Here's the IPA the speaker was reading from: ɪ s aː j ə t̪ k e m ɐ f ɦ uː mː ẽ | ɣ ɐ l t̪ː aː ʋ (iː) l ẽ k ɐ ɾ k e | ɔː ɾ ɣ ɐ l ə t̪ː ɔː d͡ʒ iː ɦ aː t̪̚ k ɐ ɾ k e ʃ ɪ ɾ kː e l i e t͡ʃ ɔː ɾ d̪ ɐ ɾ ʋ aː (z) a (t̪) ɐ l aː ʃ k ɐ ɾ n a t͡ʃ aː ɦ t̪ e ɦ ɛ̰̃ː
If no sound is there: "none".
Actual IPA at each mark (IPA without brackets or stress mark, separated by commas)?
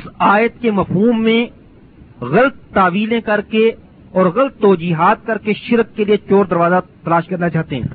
iː, z, t̪